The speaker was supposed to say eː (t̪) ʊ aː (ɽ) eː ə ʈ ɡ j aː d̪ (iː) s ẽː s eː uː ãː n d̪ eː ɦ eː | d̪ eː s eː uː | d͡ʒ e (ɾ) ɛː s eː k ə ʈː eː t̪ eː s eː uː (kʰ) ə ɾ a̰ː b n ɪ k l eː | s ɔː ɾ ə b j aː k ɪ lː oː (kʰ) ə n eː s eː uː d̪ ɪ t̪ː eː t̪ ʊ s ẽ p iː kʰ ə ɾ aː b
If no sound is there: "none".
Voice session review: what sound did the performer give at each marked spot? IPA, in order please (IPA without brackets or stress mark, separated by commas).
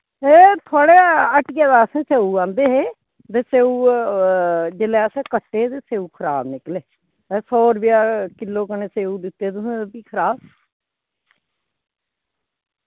t̪ʰ, ɽ, aː, l, kʰ, k